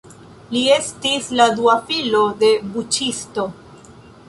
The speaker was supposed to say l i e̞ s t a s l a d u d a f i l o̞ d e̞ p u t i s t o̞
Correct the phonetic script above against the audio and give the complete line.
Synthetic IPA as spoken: l i e̞ s t i s l a d u a f i l o̞ d e̞ b u t͡ʃ i s t o̞